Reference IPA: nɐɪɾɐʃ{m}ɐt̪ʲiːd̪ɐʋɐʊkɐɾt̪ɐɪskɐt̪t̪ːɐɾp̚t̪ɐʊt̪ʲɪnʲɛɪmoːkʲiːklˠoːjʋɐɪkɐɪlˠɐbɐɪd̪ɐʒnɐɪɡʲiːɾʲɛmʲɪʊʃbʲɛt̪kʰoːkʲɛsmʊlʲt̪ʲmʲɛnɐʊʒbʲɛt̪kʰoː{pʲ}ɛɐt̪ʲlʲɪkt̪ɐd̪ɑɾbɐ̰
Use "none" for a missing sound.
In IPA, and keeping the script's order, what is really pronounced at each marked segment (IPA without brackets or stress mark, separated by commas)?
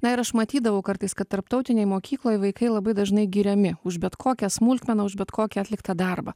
m, kʲ